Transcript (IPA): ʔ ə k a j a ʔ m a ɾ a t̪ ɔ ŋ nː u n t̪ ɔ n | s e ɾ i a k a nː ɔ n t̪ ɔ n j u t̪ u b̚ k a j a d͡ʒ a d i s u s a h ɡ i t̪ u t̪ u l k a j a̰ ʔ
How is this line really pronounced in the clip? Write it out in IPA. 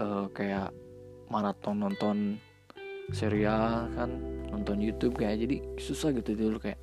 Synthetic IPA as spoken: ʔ ə k a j a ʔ m a ɾ a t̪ ɔ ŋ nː ɔ n t̪ ɔ n | s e ɾ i a k a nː ɔ n t̪ ɔ n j u t̪ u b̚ k a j a d͡ʒ a d i s u s a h ɡ i t̪ u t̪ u l k a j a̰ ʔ